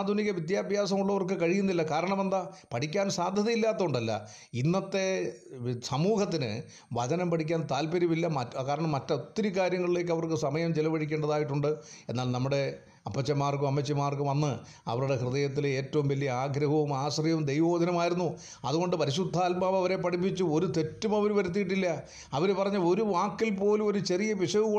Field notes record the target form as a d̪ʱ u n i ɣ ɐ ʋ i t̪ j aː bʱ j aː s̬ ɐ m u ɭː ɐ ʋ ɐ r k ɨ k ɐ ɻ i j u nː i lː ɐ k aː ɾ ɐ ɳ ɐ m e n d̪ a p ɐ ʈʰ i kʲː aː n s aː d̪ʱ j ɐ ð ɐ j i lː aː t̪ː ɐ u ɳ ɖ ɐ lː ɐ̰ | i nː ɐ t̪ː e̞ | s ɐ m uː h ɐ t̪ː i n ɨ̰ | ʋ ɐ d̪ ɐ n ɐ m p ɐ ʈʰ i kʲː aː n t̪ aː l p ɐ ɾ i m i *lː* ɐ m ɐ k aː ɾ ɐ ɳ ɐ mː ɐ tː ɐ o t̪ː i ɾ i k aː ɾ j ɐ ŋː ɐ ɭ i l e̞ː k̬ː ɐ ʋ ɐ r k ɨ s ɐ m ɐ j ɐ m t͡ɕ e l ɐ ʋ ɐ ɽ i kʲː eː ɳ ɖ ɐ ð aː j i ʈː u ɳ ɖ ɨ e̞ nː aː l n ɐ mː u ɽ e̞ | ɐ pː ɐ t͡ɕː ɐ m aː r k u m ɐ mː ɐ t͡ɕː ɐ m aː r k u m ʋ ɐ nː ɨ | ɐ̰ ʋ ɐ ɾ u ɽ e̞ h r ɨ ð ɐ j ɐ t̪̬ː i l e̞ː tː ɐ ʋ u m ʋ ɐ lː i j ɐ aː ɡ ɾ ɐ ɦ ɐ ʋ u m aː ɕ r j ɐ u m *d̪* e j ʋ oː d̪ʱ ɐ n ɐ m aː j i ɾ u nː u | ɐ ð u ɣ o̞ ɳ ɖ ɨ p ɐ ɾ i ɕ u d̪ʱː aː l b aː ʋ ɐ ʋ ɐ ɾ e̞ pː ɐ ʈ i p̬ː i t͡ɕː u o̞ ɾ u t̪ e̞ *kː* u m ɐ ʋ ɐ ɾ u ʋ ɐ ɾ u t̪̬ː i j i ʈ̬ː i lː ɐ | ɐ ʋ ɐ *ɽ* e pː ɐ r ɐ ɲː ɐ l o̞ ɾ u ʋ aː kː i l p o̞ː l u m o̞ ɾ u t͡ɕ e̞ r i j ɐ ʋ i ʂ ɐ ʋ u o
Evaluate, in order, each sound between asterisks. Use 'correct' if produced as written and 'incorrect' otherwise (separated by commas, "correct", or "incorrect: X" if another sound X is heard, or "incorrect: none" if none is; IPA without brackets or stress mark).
correct, correct, incorrect: tː, incorrect: ɾ